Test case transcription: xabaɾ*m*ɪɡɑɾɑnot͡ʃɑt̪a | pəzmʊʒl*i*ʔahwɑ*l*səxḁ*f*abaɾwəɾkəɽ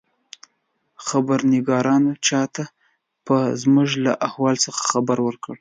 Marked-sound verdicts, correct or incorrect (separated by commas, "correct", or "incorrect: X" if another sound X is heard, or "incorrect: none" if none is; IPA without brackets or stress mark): incorrect: n, incorrect: a, correct, incorrect: x